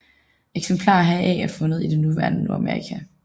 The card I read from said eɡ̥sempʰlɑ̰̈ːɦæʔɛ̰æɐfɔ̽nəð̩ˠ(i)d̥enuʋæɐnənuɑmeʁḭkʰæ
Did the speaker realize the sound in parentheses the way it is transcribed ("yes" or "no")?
yes